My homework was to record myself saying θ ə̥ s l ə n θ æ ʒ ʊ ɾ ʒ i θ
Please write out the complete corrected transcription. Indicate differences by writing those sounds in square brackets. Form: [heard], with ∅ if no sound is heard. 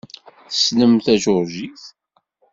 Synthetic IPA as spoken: θ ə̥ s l ə [m] θ æ ʒ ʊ ɾ ʒ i θ